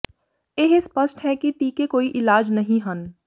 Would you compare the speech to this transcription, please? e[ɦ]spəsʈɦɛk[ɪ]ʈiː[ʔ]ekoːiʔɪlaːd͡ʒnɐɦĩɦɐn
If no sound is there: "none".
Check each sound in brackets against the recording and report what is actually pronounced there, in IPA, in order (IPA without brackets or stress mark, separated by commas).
ɦ, i, k